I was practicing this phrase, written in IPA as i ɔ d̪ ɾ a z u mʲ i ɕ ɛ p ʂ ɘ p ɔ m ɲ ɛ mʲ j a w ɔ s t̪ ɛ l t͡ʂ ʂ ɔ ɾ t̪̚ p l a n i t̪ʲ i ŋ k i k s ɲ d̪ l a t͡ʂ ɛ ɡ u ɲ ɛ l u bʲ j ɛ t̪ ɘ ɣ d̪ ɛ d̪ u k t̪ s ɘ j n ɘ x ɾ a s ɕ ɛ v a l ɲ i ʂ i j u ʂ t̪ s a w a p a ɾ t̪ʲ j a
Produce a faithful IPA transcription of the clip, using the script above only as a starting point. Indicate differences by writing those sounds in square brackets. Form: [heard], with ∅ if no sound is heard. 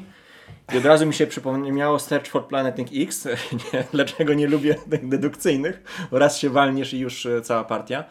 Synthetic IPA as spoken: i ɔ d̪ ɾ a z u mʲ i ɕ ɛ p ʂ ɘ p ɔ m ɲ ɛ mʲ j a w ɔ s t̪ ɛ [ɾ] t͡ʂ [f] ɔ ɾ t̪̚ p l a n [ɛ] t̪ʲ i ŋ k i k s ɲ d̪ l a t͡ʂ ɛ ɡ [ɔ] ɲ ɛ l u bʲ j ɛ t̪ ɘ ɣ d̪ ɛ d̪ u k t̪ s ɘ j n ɘ x ɾ a s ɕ ɛ v a l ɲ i ʂ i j u ʂ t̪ s a w a p a ɾ t̪ʲ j a